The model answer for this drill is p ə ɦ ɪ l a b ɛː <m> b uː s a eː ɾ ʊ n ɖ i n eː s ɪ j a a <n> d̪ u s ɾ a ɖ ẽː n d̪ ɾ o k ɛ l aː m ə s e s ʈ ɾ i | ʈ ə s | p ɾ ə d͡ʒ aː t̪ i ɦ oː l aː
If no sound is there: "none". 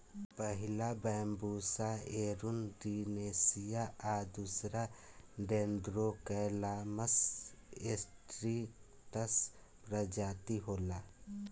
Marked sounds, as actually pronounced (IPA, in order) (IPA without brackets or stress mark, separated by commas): m, none